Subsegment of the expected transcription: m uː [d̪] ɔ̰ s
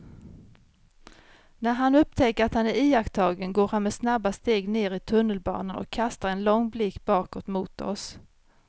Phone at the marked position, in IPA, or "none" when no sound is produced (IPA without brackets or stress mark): t̪